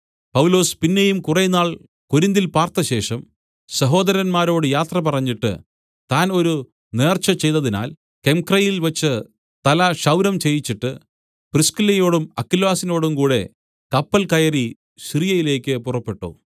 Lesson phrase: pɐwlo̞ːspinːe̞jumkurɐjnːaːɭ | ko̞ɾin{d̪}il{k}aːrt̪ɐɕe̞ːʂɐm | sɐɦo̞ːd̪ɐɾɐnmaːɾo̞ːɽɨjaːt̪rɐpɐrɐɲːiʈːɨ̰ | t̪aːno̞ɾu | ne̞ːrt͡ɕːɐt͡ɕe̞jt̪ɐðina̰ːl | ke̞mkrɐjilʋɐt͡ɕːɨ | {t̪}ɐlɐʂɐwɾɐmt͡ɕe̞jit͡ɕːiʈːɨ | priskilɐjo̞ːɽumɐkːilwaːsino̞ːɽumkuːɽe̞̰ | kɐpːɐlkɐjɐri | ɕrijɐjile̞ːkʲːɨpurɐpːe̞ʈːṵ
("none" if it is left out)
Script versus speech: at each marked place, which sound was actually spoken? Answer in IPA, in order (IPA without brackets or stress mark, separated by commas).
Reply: d̪, p, t̪